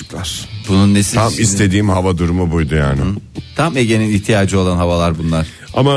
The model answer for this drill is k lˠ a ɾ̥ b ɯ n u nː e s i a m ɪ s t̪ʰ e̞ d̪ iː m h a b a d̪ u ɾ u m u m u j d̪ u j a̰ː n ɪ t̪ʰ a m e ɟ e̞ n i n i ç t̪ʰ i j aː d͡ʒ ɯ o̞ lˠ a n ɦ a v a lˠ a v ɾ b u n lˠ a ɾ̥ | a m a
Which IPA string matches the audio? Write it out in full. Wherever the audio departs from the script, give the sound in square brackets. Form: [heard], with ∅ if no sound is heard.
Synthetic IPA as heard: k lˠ a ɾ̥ b [u] n u nː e s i a m [i] s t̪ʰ e̞ d̪ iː m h a [v] a d̪ u ɾ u m u [b] u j d̪ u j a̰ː n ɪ t̪ʰ a m e ɟ e̞ n i n i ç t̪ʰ i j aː d͡ʒ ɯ o̞ lˠ a n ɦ a v a lˠ a [∅] ɾ b u n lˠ a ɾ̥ | a m a